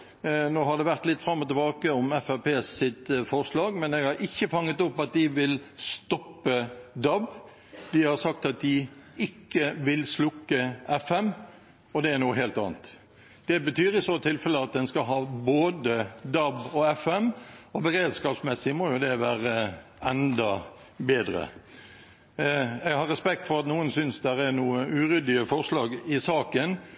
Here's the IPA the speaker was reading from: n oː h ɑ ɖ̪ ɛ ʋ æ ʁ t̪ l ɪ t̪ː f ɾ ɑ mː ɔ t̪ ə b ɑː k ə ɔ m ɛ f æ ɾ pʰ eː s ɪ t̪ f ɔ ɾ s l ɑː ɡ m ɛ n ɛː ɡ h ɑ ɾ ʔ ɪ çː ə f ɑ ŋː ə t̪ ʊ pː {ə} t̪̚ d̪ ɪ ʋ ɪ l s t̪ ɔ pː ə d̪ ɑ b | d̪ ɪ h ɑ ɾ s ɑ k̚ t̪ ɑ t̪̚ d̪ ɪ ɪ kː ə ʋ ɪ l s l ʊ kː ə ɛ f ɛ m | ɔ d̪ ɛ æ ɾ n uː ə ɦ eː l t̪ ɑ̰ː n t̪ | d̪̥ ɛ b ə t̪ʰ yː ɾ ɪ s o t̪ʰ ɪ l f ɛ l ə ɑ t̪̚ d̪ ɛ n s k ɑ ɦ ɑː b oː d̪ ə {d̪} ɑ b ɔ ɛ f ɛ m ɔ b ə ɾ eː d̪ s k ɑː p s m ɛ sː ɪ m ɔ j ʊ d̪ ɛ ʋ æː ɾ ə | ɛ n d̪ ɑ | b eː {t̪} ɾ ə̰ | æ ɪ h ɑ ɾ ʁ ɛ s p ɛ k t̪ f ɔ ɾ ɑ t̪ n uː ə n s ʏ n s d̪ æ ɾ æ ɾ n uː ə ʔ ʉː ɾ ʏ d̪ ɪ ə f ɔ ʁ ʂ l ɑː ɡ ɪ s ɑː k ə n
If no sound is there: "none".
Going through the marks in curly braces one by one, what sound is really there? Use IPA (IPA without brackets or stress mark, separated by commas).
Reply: ɑ, d̪, d̪